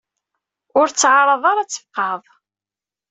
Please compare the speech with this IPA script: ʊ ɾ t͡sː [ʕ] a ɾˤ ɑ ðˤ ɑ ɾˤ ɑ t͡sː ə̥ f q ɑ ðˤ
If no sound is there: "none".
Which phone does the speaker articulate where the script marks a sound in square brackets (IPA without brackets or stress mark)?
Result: ʕ